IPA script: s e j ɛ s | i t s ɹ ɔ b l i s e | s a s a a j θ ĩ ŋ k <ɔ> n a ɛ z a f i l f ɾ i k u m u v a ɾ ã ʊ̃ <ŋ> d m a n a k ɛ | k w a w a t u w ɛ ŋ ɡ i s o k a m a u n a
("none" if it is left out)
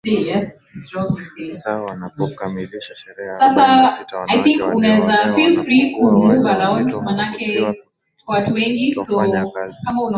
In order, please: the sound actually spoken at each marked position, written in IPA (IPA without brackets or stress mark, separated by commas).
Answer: u, n